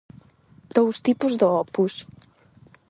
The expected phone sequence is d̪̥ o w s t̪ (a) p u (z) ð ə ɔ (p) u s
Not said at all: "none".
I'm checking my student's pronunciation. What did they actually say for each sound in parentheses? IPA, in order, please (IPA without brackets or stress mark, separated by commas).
i, z, p